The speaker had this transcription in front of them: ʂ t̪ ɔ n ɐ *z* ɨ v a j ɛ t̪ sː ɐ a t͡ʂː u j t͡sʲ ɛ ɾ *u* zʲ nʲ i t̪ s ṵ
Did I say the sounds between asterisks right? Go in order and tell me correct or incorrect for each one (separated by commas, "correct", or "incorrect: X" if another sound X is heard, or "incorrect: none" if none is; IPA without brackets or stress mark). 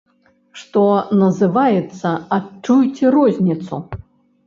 correct, incorrect: ɔ